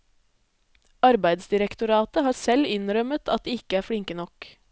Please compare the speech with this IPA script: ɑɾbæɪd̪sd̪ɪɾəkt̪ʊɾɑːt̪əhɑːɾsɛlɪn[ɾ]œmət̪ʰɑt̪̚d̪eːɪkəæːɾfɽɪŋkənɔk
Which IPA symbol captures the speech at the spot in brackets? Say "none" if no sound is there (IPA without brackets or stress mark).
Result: ɾ